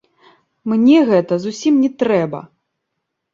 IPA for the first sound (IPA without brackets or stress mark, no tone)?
m